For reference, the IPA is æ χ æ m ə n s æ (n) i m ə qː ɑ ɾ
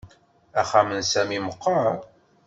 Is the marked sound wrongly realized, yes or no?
yes